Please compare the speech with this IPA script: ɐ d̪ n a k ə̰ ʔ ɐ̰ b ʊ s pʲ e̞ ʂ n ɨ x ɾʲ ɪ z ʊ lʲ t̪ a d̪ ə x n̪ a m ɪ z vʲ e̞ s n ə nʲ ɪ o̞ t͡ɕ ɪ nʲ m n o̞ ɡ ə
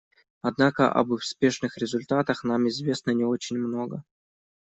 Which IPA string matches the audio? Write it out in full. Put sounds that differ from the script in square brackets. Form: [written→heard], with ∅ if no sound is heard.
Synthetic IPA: ɐ d̪ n a k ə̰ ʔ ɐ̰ b ʊ s pʲ e̞ ʂ n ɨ x ɾʲ ɪ z ʊ lʲ t̪ a [d̪→t̪] ə x n̪ a m ɪ z vʲ e̞ s n ə nʲ ɪ o̞ t͡ɕ ɪ nʲ m n o̞ ɡ ə